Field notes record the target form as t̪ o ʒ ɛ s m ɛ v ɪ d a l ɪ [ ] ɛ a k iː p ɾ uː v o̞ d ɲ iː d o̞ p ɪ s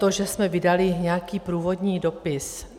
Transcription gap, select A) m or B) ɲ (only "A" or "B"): B